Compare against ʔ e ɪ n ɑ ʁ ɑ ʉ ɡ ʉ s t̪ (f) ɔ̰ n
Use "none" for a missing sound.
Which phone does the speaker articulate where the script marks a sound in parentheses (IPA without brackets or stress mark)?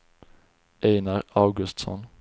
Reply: s